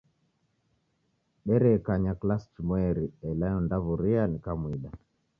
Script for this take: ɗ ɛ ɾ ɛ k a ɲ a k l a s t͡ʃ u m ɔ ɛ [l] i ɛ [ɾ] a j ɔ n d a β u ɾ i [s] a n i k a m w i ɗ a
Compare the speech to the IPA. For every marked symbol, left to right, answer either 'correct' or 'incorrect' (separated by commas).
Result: incorrect, incorrect, incorrect